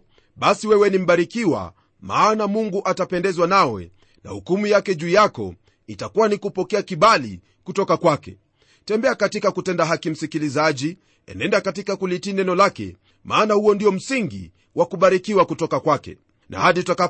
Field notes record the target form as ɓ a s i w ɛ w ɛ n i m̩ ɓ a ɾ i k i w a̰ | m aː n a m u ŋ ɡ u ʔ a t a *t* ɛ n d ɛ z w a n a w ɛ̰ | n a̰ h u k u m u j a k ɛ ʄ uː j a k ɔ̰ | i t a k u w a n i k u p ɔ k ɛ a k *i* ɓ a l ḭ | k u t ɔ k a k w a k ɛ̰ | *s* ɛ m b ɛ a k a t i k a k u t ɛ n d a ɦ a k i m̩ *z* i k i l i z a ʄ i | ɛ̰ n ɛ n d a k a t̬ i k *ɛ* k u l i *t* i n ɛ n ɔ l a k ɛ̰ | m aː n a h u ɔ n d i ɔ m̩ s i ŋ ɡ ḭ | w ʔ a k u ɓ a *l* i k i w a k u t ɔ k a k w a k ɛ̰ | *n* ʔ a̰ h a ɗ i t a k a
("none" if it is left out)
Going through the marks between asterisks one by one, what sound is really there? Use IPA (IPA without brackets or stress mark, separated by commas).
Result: p, i, t, s, a, t, ɾ, n